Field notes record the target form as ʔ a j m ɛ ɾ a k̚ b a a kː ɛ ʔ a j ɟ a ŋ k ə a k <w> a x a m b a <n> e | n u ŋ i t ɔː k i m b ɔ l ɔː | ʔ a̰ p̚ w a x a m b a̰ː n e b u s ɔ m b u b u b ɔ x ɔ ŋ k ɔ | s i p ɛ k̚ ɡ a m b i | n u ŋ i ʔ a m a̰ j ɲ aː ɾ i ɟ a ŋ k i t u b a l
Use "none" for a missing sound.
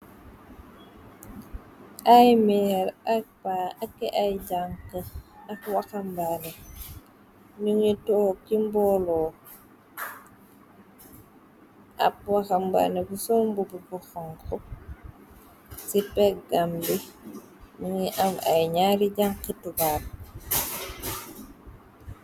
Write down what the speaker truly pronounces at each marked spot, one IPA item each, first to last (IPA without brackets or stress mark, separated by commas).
w, n